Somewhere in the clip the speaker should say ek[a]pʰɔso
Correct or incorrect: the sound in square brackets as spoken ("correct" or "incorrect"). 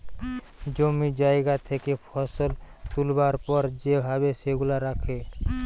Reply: incorrect